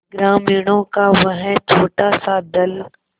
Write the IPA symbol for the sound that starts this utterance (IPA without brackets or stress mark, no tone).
ɡ